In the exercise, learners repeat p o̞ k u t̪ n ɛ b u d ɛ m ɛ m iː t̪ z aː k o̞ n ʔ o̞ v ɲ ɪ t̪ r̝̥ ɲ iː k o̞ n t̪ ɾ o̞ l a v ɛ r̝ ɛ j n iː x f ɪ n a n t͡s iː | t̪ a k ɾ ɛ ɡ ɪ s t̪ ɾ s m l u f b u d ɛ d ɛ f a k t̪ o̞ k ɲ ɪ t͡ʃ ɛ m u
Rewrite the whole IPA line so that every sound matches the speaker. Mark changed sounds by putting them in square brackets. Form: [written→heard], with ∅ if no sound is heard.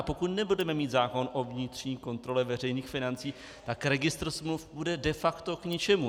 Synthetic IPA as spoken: p o̞ k u t̪ n ɛ b u d ɛ m ɛ m iː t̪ z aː k o̞ n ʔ o̞ v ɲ ɪ t̪ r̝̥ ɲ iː k o̞ n t̪ ɾ o̞ l [a→ɛ] v ɛ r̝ ɛ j n iː x f ɪ n a n t͡s iː | t̪ a k ɾ ɛ ɡ ɪ s t̪ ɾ s m l u f b u d ɛ d ɛ f a k t̪ o̞ k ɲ ɪ t͡ʃ ɛ m u